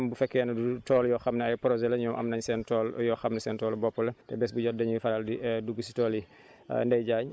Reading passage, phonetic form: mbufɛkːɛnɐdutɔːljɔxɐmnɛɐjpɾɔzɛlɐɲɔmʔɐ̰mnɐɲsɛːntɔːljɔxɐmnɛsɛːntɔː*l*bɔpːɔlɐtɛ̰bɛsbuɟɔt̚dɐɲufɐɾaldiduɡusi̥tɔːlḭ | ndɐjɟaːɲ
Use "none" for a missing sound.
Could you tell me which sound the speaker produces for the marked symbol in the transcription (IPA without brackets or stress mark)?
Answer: l